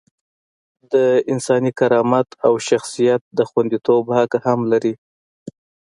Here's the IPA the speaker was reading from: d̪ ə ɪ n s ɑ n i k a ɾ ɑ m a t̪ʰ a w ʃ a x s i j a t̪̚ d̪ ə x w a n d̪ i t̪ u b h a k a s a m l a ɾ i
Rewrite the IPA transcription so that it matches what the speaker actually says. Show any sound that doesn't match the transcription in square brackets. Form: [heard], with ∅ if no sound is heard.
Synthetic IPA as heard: d̪ ə ɪ n s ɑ n i k a ɾ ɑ m a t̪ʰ a w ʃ a x s i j a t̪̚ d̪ ə x w a n d̪ i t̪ [o] b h a k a [h] a m l a ɾ i